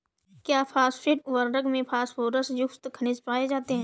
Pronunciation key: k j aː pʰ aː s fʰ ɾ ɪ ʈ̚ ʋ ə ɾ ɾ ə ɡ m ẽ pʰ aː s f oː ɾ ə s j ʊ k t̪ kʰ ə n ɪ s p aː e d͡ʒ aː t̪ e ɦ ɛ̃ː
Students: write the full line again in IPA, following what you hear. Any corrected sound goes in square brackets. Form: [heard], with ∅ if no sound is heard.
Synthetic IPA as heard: k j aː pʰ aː s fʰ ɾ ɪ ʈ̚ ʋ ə ɾ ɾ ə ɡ m ẽ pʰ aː s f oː ɾ ə s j ʊ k t̪ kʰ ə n ɪ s p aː e d͡ʒ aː t̪ e ɦ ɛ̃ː